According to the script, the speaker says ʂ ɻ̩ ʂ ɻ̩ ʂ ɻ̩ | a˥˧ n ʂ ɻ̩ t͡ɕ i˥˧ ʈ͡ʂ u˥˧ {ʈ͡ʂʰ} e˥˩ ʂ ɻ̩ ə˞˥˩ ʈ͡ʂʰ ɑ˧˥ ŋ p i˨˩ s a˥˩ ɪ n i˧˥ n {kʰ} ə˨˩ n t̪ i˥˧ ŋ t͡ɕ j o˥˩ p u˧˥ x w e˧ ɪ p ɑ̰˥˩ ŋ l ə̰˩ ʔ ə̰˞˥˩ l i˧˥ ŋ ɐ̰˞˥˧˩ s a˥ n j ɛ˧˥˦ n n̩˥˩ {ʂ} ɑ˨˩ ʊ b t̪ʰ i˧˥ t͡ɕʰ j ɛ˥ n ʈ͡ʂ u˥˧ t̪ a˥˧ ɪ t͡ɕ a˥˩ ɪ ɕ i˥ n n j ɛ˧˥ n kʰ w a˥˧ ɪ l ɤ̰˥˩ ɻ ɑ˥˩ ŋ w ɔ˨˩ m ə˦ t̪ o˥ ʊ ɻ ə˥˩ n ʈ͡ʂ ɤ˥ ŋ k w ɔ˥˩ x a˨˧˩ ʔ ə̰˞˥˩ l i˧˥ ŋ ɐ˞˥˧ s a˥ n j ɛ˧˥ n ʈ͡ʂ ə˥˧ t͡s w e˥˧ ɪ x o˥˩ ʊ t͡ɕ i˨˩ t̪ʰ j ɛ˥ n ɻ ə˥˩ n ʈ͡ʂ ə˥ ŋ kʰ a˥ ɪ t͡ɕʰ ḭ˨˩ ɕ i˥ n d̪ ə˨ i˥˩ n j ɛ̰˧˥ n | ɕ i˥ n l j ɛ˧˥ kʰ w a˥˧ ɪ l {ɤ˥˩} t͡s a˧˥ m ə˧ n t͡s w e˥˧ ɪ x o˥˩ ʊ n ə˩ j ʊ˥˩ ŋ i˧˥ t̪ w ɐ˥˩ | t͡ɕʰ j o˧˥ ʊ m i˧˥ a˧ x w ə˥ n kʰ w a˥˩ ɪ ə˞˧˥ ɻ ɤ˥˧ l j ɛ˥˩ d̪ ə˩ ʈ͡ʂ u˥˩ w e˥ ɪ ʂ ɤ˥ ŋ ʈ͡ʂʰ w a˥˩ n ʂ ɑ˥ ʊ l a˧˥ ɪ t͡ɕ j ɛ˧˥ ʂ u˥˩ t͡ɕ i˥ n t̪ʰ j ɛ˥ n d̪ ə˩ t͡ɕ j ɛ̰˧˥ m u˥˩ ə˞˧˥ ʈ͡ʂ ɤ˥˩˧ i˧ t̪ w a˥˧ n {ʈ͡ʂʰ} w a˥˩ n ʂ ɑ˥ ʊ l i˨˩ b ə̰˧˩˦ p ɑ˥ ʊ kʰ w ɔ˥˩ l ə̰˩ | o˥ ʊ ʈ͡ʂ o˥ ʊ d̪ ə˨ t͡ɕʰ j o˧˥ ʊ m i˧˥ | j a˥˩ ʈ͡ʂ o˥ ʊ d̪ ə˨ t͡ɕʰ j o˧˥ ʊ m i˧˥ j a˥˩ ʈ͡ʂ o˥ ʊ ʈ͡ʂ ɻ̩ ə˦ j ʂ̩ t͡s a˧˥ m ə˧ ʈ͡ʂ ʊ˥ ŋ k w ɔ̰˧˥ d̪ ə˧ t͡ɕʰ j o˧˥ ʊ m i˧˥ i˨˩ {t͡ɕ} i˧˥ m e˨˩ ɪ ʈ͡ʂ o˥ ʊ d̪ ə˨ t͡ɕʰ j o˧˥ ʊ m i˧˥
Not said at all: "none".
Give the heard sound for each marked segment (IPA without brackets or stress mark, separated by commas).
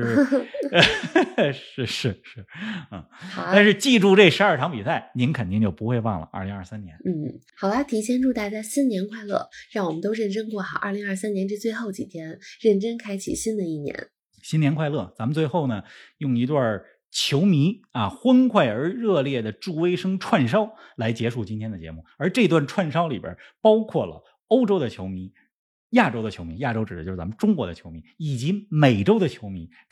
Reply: ʈ͡ʂ, kʰ, x, ɤ˥˩, ʈ͡ʂʰ, t͡ɕ